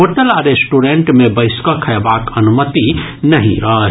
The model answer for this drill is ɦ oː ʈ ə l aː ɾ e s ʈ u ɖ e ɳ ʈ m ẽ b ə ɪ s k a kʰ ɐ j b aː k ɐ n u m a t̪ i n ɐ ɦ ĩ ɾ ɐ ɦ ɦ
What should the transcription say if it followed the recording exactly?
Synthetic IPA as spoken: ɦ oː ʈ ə l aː ɾ e s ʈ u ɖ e ɳ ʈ m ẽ b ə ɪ s k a kʰ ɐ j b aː k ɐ n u m ə t̪ i n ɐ ɦ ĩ ɾ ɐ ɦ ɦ

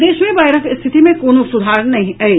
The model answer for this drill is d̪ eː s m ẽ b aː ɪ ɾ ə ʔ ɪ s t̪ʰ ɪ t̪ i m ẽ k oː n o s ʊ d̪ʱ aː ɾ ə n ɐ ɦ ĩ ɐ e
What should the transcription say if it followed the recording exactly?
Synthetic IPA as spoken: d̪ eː ʃ m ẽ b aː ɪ ɾ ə k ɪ s t̪ʰ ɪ t̪ i m ẽ k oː n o s ʊ d̪ʱ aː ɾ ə n ɐ ɦ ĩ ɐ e

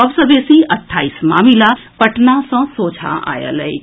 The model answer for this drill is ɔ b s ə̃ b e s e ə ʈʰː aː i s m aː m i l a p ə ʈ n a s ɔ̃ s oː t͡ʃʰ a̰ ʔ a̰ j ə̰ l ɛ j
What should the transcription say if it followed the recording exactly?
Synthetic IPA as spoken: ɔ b s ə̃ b e s i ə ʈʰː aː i s m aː m i l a p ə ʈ n a s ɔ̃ s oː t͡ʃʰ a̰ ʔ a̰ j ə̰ l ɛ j

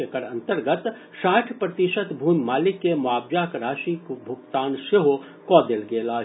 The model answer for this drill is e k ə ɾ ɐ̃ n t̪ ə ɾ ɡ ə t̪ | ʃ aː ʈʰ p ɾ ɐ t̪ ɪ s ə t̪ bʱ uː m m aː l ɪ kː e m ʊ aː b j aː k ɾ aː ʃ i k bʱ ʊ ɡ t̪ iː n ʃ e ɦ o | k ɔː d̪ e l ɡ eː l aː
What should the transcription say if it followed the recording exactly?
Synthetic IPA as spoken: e k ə ɾ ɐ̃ n t̪ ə ɾ ɡ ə t̪ | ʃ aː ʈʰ p ɾ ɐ t̪ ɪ ʃ ə t̪ bʱ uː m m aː l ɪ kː e m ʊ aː b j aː k ɾ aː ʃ i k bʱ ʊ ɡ t̪ aː n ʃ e ɦ o | k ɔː d̪ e l ɡ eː l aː

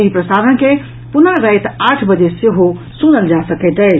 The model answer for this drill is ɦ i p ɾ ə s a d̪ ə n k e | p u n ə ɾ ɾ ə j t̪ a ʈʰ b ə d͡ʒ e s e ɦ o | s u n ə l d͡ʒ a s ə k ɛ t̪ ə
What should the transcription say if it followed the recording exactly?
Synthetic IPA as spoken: ɦ i p ɾ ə s a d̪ ə n k e | p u n ə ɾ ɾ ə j t̪ a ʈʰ b ə d͡ʒ e s e ɦ o | s u n ə l d͡ʒ a s ə k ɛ t̪ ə

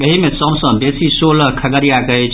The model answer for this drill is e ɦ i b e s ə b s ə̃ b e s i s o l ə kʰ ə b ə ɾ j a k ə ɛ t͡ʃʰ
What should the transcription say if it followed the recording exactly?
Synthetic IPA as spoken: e ɦ i m e s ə b s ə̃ b e s i s o l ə kʰ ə ɡ ə ɾ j a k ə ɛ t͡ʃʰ

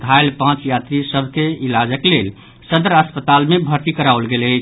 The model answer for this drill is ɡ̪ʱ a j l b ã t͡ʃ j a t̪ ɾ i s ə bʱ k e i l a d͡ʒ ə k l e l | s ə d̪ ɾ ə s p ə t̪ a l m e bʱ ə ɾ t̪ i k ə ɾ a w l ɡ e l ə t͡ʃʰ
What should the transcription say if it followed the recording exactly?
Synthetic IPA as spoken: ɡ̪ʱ a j l p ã t͡ʃ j a t̪ ɾ i s ə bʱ k e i l a d͡ʒ ə k l e l | s ə d̪ ɾ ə s p ə t̪ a l m e bʱ ə ɾ t̪ i k ə ɾ a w l ɡ e l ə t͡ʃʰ

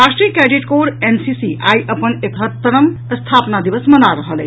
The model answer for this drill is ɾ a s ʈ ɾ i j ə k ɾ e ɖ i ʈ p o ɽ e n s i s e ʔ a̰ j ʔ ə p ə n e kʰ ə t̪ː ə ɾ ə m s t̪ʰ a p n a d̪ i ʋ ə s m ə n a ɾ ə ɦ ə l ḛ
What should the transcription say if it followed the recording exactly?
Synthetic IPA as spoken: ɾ a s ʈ ɾ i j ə k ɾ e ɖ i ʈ k o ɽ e n s i s i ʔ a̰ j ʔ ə p ə n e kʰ ə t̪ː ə ɾ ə m s t̪ʰ a p n a d̪ i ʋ ə s m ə n a ɾ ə ɦ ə l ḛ

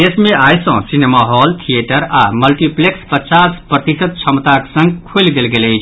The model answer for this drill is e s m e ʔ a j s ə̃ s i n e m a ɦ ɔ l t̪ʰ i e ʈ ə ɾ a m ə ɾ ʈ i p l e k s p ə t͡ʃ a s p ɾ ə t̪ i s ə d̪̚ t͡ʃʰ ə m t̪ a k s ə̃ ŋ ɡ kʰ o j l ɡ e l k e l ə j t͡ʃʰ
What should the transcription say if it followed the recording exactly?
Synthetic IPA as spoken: e s m e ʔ a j s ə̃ s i n e m a ɦ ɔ l t̪ʰ i e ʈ ə ɾ a m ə l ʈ i p l e k s p ə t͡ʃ a s p ɾ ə t̪ i s ə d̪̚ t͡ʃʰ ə m t̪ a k s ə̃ ŋ ɡ kʰ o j l ɡ e l ɡ e l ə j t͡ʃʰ

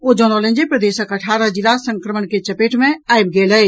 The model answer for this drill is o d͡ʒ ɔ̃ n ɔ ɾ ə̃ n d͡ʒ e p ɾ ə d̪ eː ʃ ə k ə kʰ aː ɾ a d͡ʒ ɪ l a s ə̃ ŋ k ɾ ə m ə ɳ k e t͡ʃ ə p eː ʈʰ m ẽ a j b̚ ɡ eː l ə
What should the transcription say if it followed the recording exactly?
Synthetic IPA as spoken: o d͡ʒ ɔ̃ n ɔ l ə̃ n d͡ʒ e p ɾ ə d̪ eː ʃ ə k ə ʈʰ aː ɾ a d͡ʒ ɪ l a s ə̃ ŋ k ɾ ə m ə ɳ k e t͡ʃ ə p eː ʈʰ m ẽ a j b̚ ɡ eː l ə

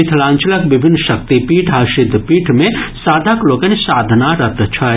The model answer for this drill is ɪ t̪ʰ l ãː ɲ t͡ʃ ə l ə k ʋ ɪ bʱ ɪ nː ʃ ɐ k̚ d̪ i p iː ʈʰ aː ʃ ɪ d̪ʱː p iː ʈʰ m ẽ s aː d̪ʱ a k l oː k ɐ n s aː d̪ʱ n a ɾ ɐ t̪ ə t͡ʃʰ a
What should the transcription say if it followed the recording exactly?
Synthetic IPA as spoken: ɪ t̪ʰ l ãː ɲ t͡ʃ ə l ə k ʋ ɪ bʱ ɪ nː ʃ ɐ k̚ t̪ i p iː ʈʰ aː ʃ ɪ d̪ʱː p iː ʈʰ m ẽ s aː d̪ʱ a k l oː k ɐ n s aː d̪ʱ n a ɾ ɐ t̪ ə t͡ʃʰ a

